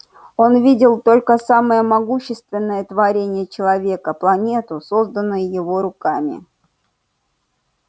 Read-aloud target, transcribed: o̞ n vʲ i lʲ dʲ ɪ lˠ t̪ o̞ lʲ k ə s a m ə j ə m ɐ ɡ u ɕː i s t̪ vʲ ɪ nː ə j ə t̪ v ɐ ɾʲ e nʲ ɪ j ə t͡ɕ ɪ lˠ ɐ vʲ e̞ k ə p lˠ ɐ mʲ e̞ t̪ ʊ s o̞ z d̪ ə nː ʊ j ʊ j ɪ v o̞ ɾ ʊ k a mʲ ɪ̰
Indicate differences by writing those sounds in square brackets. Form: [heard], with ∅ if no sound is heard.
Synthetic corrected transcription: o̞ n vʲ i [∅] dʲ ɪ lˠ t̪ o̞ lʲ k ə s a m ə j ə m ɐ ɡ u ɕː [ɪ] s t̪ vʲ ɪ nː ə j ə t̪ v ɐ ɾʲ e nʲ ɪ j ə t͡ɕ ɪ lˠ ɐ vʲ e̞ k ə p lˠ ɐ [nʲ] e̞ t̪ ʊ s o̞ z d̪ ə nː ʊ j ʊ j ɪ v o̞ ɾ ʊ k a mʲ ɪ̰